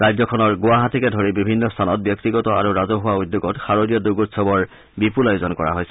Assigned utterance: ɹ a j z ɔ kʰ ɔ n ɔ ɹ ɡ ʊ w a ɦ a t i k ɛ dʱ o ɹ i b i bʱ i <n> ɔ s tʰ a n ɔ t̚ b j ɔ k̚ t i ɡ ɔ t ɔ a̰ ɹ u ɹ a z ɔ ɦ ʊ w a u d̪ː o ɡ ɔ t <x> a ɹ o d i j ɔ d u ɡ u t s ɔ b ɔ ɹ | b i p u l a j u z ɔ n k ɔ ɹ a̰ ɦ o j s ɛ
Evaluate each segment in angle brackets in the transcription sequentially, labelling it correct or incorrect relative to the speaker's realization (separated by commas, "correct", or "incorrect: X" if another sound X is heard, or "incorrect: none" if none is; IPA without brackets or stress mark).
incorrect: nː, correct